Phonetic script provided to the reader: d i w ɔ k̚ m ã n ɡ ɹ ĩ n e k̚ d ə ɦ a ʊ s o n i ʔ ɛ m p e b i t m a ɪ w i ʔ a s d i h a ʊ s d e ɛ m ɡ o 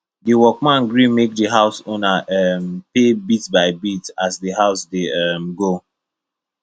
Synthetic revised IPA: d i w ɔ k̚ m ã n ɡ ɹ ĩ m e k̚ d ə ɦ a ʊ s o n a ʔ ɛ m p e b i t b a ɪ b i t a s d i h a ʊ s d e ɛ m ɡ o